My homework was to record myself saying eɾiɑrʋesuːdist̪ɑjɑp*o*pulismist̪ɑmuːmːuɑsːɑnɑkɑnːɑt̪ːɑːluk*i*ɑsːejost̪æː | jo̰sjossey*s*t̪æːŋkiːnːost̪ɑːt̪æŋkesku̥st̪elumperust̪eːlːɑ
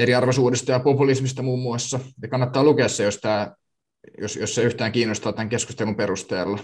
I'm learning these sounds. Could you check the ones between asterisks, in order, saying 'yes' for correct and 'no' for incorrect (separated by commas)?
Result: yes, no, no